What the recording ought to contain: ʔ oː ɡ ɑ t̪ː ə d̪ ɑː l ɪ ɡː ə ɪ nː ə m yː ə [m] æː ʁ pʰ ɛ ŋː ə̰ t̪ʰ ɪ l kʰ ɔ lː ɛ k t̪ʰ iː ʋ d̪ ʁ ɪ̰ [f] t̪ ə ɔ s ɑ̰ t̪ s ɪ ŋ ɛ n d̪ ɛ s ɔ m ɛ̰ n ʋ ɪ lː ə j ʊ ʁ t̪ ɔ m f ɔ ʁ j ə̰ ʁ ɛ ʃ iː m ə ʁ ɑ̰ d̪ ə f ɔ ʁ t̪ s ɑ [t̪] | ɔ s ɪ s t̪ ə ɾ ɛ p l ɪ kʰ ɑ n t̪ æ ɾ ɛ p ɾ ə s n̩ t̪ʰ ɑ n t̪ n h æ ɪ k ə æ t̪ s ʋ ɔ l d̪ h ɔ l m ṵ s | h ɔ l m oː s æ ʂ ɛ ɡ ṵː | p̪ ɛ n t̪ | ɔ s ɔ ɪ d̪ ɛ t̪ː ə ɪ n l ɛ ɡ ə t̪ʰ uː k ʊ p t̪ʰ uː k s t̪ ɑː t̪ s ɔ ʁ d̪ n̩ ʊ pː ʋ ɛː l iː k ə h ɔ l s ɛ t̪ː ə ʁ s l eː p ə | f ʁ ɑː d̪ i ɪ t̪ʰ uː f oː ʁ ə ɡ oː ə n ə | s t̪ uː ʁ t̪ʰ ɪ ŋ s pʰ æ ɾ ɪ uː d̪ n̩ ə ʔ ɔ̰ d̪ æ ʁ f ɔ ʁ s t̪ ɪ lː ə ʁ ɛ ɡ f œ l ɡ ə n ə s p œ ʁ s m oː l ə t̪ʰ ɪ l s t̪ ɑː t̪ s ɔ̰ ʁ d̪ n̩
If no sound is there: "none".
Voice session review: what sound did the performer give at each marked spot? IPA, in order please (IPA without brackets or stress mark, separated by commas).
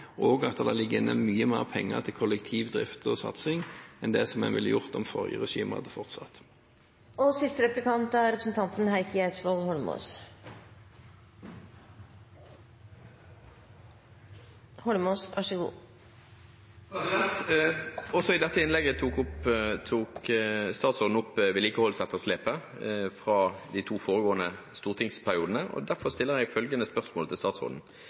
m, f, t̪